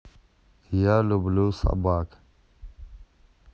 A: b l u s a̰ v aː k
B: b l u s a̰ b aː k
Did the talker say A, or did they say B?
B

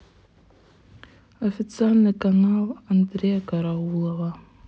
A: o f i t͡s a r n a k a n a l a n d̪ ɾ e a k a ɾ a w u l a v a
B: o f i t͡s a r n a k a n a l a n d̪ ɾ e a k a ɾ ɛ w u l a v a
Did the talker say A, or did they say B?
A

